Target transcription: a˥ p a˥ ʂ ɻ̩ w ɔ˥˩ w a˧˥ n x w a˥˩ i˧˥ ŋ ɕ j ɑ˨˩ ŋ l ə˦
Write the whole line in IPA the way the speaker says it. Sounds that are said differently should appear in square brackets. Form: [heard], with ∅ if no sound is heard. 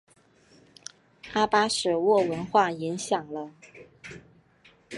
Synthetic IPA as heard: a˥ p a˥ ʂ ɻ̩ w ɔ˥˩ w [ə˧˥] n x w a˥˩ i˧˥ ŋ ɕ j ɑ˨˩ ŋ l ə˦